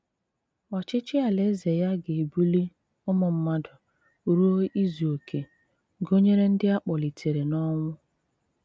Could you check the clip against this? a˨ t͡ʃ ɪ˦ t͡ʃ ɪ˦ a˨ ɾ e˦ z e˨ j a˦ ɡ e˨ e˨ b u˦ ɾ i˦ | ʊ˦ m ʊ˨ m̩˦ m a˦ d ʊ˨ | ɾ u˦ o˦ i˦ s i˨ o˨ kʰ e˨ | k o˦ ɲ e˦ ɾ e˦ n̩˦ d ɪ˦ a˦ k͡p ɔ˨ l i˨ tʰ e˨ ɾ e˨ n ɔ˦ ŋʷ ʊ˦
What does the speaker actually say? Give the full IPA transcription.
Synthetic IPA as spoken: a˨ t͡ʃ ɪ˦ t͡ʃ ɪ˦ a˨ l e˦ z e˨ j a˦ ɡ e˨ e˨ b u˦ l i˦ | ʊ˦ m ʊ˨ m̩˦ m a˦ d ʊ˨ | ɾ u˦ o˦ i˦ z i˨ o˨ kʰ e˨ | ɡ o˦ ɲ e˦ ɾ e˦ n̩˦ d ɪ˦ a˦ k͡p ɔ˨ l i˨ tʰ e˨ ɾ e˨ n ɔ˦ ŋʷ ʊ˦